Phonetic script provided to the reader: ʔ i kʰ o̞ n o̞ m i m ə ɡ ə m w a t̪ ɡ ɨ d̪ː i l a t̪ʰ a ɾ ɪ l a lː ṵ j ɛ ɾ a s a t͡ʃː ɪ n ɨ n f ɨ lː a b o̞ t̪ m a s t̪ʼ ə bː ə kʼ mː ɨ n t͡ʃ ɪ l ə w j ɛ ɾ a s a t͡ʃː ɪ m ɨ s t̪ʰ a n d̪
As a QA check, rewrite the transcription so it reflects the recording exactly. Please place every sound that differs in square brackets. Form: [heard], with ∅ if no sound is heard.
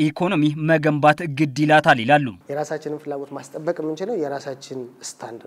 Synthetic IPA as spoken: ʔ i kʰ o̞ n o̞ m i m ə ɡ ə m [b] a t̪ ɡ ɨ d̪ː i l a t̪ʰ a [l] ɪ l a lː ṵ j ɛ ɾ a s a t͡ʃː ɪ n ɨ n f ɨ lː a [ɡ] o̞ t̪ m a s t̪ʼ ə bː ə kʼ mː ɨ n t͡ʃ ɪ l ə w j ɛ ɾ a s a t͡ʃː ɪ [n] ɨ s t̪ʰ a n d̪